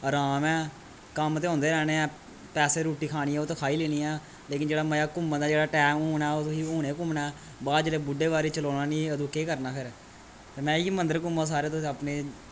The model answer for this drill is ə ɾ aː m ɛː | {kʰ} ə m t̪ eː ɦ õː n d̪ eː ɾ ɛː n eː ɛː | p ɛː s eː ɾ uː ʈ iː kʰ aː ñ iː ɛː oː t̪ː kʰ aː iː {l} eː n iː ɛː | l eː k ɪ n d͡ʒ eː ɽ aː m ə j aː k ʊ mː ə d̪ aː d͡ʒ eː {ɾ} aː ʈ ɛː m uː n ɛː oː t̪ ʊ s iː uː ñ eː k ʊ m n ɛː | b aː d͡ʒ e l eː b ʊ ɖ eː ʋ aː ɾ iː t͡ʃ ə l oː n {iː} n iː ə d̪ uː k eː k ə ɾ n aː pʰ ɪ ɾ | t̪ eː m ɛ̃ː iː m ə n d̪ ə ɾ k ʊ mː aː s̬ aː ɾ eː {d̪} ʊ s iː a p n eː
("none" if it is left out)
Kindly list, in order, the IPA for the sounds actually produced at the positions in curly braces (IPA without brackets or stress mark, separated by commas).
k, l, ɽ, aː, t̪